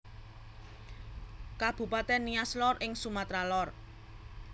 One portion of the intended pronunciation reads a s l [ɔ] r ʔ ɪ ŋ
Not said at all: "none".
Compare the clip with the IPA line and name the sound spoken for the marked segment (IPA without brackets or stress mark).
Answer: ɔ